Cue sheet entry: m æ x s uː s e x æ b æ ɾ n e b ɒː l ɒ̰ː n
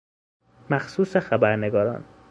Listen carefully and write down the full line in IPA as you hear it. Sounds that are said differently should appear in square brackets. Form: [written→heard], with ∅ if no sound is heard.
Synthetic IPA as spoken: m æ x s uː s e x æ b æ ɾ n e [b→ɡ] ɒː [l→ɾ] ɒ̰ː n